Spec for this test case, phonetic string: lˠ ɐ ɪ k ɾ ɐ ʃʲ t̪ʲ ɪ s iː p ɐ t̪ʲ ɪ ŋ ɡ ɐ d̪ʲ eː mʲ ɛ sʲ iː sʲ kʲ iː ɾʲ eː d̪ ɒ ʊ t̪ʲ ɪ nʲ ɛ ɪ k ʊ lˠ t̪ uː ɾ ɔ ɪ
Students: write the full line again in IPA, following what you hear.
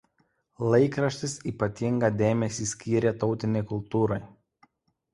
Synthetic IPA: lˠ ɐ ɪ k ɾ ɐ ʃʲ t̪ʲ ɪ s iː p ɐ t̪ʲ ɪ ŋ ɡ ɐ d̪ʲ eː mʲ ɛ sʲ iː sʲ kʲ iː ɾʲ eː t̪ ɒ ʊ t̪ʲ ɪ nʲ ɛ ɪ k ʊ lˠ t̪ uː ɾ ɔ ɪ